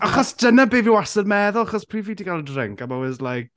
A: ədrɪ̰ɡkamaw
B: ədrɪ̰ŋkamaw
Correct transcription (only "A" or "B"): B